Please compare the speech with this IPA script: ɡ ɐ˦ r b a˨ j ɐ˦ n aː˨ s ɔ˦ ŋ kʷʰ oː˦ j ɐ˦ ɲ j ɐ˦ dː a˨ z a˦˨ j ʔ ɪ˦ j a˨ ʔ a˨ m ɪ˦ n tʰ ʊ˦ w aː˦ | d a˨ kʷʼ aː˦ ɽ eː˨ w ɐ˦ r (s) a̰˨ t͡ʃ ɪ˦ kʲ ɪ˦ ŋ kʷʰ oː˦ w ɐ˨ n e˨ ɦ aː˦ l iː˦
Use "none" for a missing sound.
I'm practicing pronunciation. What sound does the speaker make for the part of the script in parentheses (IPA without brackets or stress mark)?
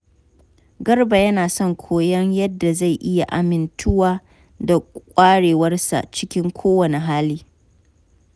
s